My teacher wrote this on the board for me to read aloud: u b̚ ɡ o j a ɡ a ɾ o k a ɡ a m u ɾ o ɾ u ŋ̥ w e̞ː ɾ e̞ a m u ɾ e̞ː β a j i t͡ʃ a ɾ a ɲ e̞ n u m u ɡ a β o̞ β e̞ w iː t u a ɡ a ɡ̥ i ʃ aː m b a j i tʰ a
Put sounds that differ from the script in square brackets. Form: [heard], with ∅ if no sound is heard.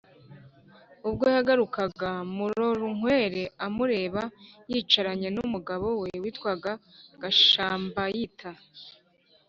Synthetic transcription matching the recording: u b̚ ɡ o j a ɡ a ɾ [u] k a ɡ a m u ɾ o ɾ u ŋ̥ w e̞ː ɾ e̞ a m u ɾ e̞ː β a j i t͡ʃ a ɾ a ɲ e̞ n u m u ɡ a β o̞ [w] e̞ w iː t [w] a ɡ a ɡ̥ [a] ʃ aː m b a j i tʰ a

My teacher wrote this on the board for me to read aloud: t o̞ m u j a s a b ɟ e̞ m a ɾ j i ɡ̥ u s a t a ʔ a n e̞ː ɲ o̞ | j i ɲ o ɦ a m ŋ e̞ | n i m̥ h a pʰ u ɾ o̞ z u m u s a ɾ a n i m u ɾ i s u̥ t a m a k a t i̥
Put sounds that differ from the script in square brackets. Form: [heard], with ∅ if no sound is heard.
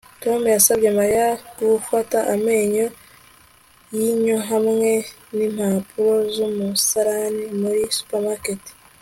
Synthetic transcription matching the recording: t o̞ m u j a s a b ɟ e̞ m a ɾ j [a] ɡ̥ u [f] a t a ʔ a [m] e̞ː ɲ o̞ | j i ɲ o ɦ a m ŋ e̞ | n i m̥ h a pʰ u ɾ o̞ z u m u s a ɾ a n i m u ɾ i s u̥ [p] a m a k [e] t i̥

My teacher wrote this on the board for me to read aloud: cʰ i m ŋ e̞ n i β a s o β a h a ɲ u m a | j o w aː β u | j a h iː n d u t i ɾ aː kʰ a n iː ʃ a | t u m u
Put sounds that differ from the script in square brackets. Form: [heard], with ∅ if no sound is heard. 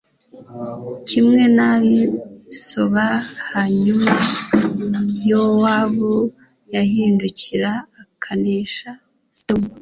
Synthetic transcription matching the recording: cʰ i m ŋ e̞ n [a] β [i] s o β a h a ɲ u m a | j o w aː β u | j a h iː n d u [c] i ɾ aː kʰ a n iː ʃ a | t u m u

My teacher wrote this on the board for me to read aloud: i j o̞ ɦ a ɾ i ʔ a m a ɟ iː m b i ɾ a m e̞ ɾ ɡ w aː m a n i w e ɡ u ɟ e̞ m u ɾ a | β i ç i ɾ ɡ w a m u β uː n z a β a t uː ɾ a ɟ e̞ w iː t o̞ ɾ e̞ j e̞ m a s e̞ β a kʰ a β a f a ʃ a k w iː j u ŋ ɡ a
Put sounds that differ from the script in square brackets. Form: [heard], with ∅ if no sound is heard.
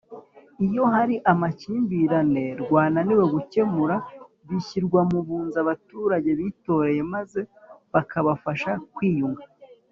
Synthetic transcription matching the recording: i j o̞ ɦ a ɾ i ʔ a m a [c] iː m b i ɾ a [n] e̞ ɾ ɡ w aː [n] a n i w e ɡ u [c] e̞ m u ɾ a | β i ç i ɾ ɡ w a m u β uː n z a β a t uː ɾ a ɟ e̞ [β] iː t o̞ ɾ e̞ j e̞ m a [z] e̞ β a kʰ a β a f a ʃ a k w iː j u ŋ ɡ a

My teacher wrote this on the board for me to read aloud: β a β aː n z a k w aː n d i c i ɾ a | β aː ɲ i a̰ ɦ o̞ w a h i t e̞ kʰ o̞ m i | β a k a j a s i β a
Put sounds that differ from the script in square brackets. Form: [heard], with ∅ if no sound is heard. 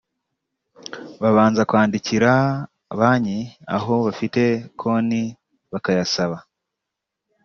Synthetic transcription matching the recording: β a β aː n z a k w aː n d i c i ɾ a | β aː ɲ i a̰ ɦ o̞ [β] a [f] i t e̞ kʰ o̞ [n] i | β a k a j a s [a] β a

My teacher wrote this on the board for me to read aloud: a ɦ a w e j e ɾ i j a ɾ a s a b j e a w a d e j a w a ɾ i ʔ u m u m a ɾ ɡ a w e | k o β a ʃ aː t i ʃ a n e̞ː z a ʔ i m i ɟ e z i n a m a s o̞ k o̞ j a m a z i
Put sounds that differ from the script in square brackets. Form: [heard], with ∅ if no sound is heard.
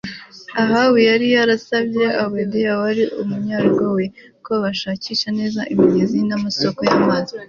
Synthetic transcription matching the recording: a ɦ a w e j [a] ɾ i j a ɾ a s a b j e a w [e] d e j a w a ɾ i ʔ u m u [ɲ] a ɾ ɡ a w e | k o β a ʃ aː [c] i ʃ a n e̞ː z a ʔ i m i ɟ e z i n a m a s o̞ k o̞ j a m a z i

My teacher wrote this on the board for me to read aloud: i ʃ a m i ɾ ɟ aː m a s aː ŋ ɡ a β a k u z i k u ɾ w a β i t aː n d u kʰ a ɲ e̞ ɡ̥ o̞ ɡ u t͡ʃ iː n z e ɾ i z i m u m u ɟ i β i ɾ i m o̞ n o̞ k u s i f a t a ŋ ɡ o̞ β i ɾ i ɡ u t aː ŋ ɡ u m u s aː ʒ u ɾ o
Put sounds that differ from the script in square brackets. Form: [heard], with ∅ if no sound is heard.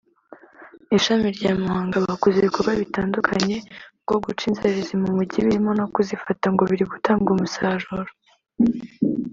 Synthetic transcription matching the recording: i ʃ a m i ɾ ɟ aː m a [h] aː ŋ ɡ a β a k u z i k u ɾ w a β i t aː n d u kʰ a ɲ e̞ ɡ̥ o̞ ɡ u t͡ʃ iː n z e ɾ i z i m u m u ɟ i β i ɾ i m o̞ n o̞ k u [z] i f a t a ŋ ɡ o̞ β i ɾ i ɡ u t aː ŋ ɡ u m u s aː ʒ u ɾ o

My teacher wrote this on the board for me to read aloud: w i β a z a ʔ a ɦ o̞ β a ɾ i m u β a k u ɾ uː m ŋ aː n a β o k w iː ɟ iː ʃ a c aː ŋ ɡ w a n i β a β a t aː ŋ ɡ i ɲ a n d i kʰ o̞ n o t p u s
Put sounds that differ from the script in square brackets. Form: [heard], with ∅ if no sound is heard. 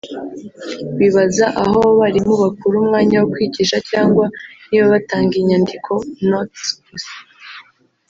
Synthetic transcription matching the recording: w i β a z a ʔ a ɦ o̞ β a ɾ i m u β a k u ɾ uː m ŋ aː [ɲ] a [w] o k w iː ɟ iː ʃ a c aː ŋ ɡ w a n i β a β a t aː ŋ ɡ i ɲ a n d i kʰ o̞ n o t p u s

